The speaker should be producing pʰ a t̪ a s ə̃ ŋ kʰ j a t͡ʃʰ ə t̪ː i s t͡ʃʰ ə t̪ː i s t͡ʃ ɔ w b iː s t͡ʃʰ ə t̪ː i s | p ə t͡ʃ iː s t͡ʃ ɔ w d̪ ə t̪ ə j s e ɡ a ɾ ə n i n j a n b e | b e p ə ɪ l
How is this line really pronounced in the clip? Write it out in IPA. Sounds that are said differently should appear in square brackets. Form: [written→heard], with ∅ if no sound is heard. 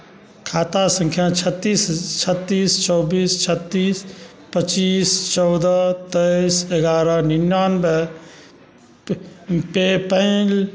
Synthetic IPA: [pʰ→kʰ] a t̪ a s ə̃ ŋ kʰ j a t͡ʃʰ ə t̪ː i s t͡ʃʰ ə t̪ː i s t͡ʃ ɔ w b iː s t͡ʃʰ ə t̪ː i s | p ə t͡ʃ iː s t͡ʃ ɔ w d̪ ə t̪ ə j s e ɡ a ɾ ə n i n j a n b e | [b→p] e p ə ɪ l